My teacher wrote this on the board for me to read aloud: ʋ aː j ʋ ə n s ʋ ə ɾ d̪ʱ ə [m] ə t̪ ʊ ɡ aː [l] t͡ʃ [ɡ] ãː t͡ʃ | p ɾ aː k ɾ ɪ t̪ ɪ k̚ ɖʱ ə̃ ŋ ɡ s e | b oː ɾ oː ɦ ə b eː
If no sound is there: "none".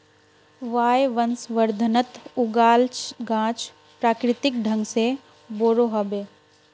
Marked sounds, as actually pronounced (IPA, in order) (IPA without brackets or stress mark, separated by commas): n, l, ɡ